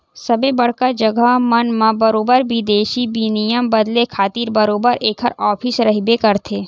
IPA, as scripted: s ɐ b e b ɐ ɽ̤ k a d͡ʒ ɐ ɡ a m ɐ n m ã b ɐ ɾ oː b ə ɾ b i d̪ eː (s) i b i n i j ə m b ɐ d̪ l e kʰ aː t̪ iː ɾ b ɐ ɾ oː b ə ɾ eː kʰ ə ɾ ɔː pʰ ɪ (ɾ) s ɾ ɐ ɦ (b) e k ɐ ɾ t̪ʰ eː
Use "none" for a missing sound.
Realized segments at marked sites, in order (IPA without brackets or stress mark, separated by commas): ʃ, none, b